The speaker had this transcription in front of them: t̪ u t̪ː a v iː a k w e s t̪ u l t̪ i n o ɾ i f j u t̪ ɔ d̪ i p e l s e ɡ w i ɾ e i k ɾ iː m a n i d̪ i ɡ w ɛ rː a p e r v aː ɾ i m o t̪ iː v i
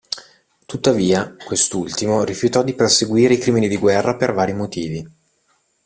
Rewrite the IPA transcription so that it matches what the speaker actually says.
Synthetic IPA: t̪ u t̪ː a v iː a k w e s t̪ u l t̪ i m o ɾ i f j u t̪ ɔ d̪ i p e r s e ɡ w iː ɾ e i k ɾ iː m i n i d̪ i ɡ w ɛ rː a p e r v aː ɾ i m o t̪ iː v i

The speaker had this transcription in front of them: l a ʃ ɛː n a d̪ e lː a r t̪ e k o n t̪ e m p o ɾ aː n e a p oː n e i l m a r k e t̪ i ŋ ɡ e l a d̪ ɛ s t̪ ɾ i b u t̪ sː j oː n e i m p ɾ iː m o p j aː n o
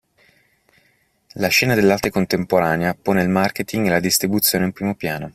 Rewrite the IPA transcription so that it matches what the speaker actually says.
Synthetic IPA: l a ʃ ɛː n a d̪ e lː a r t̪ e k o n t̪ e m p o ɾ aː n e a p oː n e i l m a r k e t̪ i ŋ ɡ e l a d̪ i s t̪ ɾ i b u t̪ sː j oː n e i m p ɾ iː m o p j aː n o

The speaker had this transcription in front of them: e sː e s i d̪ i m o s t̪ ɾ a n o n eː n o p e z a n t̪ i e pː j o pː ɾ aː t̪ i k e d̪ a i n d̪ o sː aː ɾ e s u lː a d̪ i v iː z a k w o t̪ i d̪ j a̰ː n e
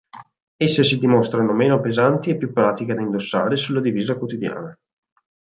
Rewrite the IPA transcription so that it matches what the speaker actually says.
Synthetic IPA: e sː e s i d̪ i m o s t̪ ɾ a n o m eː n o p e z a n t̪ i e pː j u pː ɾ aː t̪ i k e d̪ a i n d̪ o sː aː ɾ e s u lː a d̪ i v iː z a k w o t̪ i d̪ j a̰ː n a

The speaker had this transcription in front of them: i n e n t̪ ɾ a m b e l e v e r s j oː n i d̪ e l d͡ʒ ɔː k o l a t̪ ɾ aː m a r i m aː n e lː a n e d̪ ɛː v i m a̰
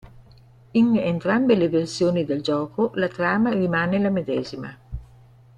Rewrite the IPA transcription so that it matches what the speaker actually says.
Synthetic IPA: i n e n t̪ ɾ a m b e l e v e r s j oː n i d̪ e l d͡ʒ ɔː k o l a t̪ ɾ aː m a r i m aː n e l a m e d̪ ɛː z i m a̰

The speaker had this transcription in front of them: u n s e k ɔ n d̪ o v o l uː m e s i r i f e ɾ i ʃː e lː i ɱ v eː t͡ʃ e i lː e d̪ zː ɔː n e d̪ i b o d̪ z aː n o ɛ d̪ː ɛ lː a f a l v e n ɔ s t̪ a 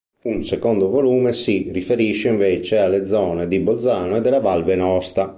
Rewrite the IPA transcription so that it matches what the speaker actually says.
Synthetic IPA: u n s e k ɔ n d̪ o v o l uː m e s i r i f e ɾ i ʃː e i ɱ v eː t͡ʃ e a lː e d̪ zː ɔː n e d̪ i b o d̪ z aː n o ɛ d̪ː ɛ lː a v a l v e n ɔ s t̪ a

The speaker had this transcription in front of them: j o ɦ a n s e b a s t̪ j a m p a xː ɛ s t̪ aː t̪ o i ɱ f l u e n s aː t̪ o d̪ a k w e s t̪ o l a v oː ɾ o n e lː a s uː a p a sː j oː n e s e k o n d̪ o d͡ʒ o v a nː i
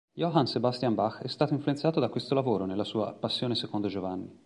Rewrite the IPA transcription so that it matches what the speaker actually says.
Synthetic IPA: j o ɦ a n s e b a s t̪ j a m b a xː ɛ s t̪ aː t̪ o i ɱ f l u e n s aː t̪ o d̪ a k w e s t̪ o l a v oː ɾ o n e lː a s uː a p a sː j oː n e s e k o n d̪ o d͡ʒ o v a nː i

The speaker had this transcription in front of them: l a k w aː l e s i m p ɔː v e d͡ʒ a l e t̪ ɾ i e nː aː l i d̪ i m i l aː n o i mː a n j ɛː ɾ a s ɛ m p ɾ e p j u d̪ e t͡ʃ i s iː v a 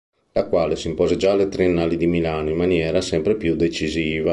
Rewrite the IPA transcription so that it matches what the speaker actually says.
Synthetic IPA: l a k w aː l e s i m p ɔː z e d͡ʒ a l e t̪ ɾ i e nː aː l i d̪ i m i l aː n o i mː a n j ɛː ɾ a s ɛ m p ɾ e p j u d̪ e t͡ʃ i z iː v a

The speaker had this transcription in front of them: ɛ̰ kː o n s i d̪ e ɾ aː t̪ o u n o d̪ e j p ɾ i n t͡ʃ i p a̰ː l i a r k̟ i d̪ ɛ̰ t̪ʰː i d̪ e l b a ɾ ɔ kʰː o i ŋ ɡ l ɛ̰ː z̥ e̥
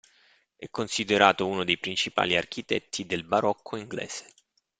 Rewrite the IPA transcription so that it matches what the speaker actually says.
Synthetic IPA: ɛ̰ kː o n s i d̪ e ɾ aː t̪ o u n o d̪ e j p ɾ i n t͡ʃ i p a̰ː l i a r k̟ i t̪ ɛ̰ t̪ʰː i d̪ e l b a ɾ ɔ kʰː o i ŋ ɡ l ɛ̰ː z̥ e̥

